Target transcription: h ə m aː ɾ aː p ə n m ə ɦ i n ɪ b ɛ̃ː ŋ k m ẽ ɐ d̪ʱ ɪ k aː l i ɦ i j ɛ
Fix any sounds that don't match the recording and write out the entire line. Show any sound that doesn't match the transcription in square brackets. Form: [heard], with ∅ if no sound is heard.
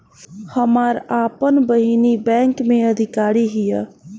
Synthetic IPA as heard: h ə m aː ɾ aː p ə n [b] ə ɦ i n [i] b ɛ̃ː ŋ k m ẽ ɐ d̪ʱ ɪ k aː [ɾ] i ɦ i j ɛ